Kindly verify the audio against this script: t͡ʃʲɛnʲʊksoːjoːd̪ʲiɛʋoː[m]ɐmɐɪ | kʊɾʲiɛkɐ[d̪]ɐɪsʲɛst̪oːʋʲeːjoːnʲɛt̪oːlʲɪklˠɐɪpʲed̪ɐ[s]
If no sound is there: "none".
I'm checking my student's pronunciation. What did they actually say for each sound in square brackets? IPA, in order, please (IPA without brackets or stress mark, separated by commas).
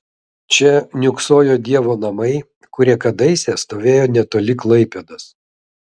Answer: n, d̪, s